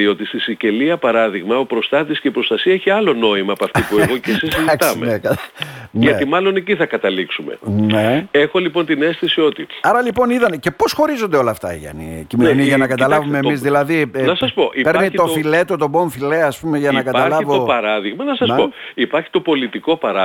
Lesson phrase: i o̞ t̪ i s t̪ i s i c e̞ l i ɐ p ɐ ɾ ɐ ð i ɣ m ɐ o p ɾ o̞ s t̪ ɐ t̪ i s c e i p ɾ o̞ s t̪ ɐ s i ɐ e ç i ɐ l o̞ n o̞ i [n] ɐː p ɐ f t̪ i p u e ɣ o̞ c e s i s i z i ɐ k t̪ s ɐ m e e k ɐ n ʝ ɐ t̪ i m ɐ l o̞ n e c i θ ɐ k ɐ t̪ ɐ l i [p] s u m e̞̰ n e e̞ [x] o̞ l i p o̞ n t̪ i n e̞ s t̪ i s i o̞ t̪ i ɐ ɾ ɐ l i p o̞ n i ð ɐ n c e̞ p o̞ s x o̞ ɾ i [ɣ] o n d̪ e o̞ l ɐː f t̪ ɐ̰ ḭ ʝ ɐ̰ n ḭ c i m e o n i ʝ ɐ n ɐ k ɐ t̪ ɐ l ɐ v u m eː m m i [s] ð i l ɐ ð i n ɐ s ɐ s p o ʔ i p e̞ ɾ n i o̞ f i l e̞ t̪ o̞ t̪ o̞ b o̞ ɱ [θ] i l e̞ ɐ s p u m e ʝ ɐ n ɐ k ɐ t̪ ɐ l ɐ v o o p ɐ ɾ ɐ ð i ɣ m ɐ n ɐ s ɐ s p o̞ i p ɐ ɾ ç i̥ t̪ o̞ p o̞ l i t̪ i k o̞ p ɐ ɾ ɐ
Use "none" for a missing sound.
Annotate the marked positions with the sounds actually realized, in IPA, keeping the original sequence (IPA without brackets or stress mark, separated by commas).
m, k, x, z, z, f